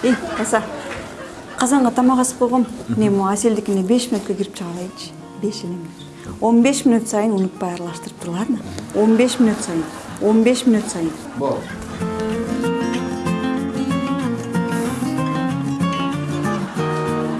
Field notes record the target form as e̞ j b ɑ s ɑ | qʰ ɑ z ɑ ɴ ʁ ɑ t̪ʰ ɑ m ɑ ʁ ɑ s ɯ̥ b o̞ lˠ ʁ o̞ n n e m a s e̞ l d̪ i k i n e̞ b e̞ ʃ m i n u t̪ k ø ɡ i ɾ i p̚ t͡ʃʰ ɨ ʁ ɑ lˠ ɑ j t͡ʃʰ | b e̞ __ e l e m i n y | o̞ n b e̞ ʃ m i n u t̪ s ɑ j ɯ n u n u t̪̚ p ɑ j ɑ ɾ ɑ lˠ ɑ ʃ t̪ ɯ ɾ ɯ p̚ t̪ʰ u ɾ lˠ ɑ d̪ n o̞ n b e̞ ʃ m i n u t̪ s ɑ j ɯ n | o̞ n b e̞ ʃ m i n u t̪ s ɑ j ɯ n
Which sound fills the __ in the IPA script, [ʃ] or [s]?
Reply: ʃ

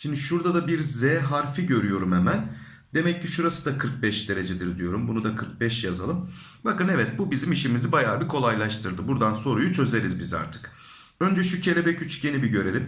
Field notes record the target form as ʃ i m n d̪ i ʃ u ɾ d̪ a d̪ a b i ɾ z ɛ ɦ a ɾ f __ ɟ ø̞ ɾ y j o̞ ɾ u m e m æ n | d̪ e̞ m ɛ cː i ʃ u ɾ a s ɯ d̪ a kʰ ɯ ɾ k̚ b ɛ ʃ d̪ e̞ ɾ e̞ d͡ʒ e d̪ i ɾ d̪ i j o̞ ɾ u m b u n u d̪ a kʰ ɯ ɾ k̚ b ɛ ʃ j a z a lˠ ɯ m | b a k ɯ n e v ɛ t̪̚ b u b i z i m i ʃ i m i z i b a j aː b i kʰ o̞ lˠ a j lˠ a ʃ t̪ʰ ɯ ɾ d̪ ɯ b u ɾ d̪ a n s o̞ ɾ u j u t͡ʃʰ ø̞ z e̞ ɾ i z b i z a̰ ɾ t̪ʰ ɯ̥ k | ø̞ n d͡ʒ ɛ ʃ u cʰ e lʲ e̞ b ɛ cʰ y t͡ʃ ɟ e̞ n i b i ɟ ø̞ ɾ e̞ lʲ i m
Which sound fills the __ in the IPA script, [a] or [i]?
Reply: i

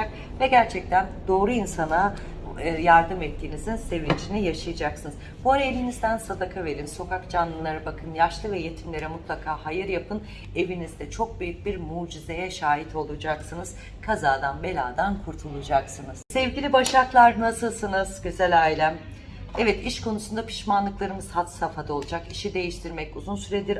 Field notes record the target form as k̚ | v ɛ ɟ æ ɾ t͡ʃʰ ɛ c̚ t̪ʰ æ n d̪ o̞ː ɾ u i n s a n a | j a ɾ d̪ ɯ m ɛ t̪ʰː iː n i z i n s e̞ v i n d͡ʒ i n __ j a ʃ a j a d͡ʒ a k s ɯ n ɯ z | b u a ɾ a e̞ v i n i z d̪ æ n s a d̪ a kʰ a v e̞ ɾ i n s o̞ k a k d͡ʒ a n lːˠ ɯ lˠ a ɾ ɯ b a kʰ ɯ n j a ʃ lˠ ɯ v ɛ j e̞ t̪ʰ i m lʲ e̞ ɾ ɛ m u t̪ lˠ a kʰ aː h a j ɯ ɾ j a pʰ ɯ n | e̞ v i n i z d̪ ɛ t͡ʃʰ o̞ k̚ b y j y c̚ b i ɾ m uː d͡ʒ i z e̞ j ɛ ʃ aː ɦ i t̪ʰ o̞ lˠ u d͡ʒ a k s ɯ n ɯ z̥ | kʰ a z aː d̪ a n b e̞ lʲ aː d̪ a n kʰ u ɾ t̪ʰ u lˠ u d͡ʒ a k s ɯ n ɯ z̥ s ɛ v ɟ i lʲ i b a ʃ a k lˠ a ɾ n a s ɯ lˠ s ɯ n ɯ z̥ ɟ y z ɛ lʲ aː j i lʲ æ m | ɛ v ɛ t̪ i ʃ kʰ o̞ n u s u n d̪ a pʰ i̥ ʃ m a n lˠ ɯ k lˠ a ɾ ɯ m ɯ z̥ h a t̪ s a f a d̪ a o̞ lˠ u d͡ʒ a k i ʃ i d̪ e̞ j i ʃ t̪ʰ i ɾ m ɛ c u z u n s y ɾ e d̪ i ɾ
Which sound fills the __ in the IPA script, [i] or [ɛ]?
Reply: i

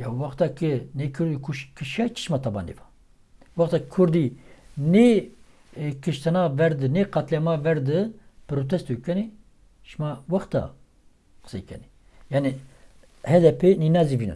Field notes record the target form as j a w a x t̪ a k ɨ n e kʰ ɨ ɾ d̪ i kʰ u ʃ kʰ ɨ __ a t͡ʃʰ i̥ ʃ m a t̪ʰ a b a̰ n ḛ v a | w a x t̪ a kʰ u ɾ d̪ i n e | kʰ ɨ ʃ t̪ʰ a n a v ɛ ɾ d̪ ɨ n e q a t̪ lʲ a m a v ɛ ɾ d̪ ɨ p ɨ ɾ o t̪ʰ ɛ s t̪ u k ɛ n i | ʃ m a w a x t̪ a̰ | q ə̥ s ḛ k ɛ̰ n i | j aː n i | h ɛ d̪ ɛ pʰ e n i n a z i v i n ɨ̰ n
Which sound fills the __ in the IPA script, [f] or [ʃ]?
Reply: ʃ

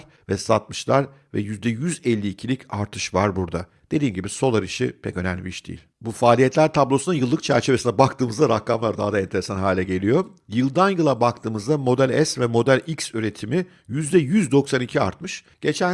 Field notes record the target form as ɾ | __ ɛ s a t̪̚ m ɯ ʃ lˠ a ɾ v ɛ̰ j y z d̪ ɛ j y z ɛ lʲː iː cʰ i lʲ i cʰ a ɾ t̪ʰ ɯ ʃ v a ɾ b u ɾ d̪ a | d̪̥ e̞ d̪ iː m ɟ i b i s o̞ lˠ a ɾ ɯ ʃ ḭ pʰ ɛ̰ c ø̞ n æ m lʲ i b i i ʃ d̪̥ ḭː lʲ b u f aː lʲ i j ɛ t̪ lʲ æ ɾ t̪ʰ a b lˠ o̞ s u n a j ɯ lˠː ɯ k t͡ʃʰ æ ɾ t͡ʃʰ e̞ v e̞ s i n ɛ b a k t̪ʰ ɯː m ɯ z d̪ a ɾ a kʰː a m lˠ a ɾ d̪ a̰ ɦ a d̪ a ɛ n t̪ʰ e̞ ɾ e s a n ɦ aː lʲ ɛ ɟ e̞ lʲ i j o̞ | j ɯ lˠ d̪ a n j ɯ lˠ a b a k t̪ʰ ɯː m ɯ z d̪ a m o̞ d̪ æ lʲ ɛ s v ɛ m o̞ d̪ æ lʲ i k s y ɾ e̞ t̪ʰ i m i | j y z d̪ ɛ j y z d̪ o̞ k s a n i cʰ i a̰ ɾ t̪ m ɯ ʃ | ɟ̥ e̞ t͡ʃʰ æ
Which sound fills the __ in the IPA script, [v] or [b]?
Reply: v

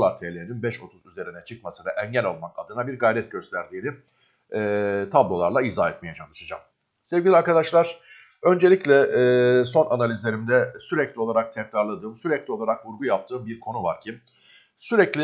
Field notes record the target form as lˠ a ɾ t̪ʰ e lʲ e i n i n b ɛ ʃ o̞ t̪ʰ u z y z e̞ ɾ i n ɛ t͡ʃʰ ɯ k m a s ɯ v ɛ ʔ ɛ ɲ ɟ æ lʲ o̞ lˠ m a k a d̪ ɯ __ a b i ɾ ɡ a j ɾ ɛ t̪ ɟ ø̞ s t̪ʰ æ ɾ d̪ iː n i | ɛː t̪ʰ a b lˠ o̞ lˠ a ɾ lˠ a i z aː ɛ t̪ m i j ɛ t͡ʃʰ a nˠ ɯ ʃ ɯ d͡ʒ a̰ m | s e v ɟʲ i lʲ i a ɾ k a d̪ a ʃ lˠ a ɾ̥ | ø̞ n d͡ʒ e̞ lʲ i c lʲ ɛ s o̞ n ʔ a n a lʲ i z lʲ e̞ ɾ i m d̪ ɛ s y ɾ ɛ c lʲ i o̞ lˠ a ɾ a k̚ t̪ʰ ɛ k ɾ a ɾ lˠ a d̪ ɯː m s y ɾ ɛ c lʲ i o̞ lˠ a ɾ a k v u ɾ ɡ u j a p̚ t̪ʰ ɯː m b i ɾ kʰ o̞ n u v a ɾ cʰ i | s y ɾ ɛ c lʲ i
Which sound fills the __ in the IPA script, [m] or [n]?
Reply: n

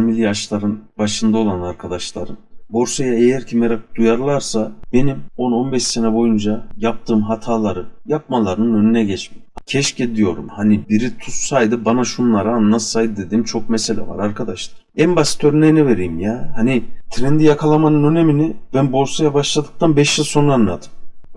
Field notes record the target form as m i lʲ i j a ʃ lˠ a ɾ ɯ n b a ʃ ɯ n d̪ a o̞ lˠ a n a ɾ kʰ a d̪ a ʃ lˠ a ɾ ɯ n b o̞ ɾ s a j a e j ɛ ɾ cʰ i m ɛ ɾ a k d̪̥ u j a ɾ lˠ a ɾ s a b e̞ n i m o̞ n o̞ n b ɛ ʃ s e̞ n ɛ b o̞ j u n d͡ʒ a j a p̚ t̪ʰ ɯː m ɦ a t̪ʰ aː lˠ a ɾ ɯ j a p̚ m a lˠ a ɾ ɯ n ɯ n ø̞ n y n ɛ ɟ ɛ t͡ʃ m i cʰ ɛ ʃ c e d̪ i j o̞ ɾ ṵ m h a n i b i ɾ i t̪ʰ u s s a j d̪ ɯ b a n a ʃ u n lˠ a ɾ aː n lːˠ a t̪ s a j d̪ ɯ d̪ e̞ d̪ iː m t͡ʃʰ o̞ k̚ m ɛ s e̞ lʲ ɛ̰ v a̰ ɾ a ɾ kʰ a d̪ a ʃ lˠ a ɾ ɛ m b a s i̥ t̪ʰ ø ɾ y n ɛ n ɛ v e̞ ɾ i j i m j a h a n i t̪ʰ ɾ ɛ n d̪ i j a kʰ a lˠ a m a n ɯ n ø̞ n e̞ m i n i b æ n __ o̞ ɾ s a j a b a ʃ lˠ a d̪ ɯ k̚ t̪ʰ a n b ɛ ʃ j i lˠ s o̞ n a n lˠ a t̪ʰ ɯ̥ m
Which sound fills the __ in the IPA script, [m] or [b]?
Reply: b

